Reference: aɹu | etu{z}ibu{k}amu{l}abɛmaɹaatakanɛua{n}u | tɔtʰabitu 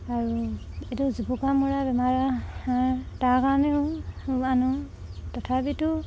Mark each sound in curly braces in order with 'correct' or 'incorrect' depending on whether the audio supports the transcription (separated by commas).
correct, correct, incorrect, correct